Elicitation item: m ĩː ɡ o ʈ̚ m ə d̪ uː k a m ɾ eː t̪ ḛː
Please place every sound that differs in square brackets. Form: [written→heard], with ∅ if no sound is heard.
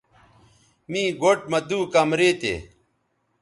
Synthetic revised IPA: m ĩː ɡ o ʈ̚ m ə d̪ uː k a m ɾ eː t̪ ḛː